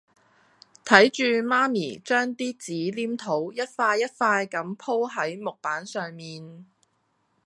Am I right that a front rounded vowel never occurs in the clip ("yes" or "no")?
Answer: no